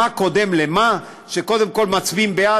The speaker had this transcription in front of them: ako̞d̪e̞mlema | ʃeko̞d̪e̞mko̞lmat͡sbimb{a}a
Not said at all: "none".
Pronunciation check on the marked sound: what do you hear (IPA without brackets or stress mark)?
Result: e